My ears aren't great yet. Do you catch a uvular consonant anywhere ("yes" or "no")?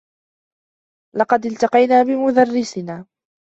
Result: yes